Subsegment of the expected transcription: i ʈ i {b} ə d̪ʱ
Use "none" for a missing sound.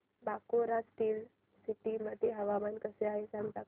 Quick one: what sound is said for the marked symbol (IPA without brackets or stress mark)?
m